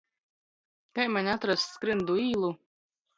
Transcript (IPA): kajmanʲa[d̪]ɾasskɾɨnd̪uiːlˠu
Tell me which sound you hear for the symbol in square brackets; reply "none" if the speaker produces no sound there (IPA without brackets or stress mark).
t̪